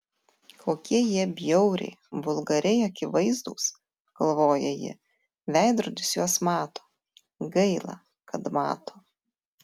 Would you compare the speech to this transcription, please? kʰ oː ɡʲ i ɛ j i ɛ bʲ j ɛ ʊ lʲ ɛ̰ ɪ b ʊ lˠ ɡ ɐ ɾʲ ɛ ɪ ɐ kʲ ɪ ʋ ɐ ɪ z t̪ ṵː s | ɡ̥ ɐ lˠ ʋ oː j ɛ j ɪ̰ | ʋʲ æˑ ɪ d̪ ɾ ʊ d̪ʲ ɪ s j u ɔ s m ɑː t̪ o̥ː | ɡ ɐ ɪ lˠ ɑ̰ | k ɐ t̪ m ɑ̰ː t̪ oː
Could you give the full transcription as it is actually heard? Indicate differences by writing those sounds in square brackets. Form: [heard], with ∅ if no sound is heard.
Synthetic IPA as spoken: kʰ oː [kʲ] i ɛ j i ɛ bʲ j ɛ ʊ [ɾʲ] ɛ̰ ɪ b ʊ lˠ ɡ ɐ ɾʲ ɛ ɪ ɐ kʲ ɪ ʋ ɐ ɪ z [d̪] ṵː s | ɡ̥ ɐ lˠ ʋ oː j ɛ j ɪ̰ | ʋʲ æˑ ɪ d̪ ɾ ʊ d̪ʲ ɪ s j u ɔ s m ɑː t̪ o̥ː | ɡ ɐ ɪ lˠ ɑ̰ | k ɐ t̪ m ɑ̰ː t̪ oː